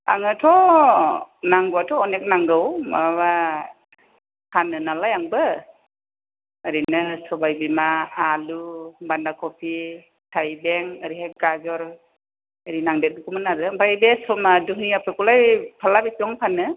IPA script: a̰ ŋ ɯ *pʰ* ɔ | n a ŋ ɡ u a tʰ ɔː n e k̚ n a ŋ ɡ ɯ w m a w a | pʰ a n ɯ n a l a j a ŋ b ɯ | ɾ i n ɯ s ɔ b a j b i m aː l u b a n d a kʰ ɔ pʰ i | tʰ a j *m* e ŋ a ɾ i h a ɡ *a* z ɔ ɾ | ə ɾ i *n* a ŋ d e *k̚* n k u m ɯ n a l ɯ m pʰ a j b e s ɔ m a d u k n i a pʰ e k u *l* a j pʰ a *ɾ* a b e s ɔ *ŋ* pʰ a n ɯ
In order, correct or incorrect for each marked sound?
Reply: incorrect, incorrect, correct, correct, incorrect, correct, incorrect, correct

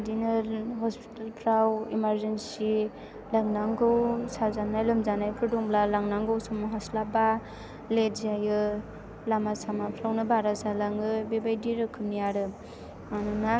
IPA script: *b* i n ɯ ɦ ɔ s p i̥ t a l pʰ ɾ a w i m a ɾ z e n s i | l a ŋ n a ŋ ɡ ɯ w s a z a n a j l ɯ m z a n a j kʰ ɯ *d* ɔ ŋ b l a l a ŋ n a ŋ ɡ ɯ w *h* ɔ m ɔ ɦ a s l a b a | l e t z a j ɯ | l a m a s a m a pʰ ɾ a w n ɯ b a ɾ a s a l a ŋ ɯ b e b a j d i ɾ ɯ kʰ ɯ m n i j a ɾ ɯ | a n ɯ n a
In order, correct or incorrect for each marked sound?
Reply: incorrect, correct, incorrect

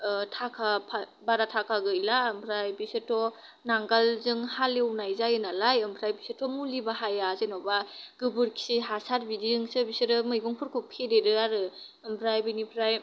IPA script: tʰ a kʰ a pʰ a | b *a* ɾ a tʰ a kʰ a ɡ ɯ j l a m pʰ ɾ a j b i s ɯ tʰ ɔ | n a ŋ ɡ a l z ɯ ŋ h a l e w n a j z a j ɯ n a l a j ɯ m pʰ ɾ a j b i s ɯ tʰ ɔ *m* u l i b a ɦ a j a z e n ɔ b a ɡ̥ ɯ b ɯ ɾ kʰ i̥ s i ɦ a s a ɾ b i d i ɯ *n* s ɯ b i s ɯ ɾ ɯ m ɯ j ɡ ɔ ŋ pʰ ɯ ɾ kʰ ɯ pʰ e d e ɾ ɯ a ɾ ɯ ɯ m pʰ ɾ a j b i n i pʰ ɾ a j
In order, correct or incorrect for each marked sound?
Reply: correct, correct, incorrect

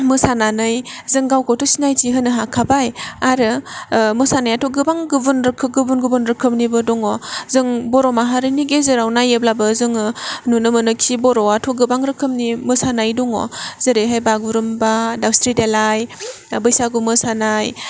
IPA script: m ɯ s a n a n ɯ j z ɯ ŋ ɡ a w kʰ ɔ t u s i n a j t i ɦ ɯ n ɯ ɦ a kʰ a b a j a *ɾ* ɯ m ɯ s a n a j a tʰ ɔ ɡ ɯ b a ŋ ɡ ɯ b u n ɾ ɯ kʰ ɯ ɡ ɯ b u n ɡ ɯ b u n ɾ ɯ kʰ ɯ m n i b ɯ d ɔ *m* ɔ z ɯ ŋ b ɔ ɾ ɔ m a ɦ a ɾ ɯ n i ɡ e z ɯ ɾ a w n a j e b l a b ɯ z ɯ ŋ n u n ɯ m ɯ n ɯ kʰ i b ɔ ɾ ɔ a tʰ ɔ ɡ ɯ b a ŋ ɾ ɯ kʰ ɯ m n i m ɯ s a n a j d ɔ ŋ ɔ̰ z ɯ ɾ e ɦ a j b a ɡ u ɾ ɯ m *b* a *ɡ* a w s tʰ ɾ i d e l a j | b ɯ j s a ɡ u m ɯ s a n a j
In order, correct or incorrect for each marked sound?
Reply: correct, incorrect, correct, incorrect

